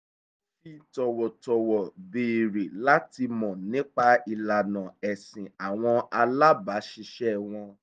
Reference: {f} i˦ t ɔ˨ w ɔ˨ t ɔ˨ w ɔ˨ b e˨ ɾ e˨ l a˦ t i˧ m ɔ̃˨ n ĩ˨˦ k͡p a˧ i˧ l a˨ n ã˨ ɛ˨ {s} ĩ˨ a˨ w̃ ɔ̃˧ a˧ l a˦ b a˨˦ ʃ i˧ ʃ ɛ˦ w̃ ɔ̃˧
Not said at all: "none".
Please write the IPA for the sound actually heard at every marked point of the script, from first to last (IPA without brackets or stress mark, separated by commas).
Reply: f, s